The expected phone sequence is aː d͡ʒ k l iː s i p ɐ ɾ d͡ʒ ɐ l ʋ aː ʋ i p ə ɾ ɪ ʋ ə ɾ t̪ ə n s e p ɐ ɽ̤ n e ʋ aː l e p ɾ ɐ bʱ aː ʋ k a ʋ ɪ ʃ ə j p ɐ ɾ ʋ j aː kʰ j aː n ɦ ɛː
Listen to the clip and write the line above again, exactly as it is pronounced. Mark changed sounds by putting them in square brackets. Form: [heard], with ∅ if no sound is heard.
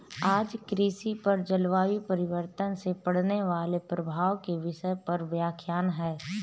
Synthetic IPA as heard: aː d͡ʒ k [ɾ] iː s i p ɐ ɾ d͡ʒ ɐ l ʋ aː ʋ i p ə ɾ ɪ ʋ ə ɾ t̪ ə n s e p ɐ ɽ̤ n e ʋ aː l e p ɾ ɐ bʱ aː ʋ k [e] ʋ ɪ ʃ ə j p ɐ ɾ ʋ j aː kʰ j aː n ɦ ɛː